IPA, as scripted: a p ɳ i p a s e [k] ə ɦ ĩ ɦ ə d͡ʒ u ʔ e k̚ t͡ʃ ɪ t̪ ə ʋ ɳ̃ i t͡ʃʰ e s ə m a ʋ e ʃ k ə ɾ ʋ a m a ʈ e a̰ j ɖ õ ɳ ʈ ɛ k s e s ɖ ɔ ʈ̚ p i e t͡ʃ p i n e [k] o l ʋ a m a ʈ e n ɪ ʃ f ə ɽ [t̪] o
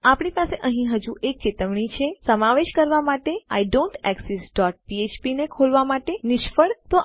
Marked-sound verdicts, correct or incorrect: incorrect, incorrect, correct

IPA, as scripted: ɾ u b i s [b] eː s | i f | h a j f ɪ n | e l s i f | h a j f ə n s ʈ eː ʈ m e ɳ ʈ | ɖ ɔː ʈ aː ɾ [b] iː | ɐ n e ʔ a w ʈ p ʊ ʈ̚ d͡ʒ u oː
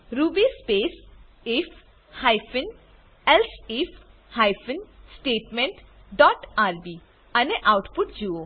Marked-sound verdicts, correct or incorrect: incorrect, correct

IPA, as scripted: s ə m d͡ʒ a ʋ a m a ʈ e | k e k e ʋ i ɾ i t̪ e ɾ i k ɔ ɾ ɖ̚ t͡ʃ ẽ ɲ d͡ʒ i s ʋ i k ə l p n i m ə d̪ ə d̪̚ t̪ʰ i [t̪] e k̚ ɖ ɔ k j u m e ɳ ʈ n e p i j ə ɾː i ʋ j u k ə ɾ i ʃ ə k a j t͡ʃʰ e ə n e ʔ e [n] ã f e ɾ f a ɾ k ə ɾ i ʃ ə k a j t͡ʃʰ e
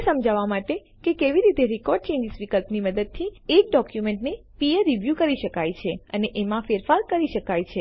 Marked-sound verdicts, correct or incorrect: incorrect, incorrect

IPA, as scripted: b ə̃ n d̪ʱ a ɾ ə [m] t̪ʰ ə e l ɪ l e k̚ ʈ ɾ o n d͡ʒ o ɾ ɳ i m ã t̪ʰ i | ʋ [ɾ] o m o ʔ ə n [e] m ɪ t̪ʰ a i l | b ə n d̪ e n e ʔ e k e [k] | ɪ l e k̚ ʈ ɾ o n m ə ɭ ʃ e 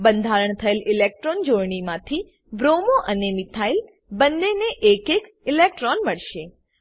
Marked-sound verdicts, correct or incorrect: incorrect, correct, correct, correct

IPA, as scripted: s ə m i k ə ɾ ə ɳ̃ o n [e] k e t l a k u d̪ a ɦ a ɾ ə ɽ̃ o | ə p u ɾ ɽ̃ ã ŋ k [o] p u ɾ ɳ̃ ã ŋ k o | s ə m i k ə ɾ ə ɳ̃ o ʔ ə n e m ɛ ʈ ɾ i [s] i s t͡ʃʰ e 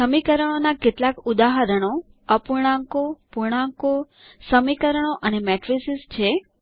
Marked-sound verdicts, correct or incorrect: incorrect, correct, correct

